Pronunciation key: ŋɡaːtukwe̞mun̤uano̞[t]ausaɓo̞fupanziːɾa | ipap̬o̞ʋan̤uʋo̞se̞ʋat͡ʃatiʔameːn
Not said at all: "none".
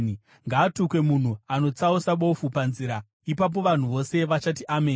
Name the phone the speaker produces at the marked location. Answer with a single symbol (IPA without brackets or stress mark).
t͡s